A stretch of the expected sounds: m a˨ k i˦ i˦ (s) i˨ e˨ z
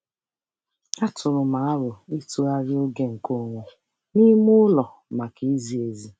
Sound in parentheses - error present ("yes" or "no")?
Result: yes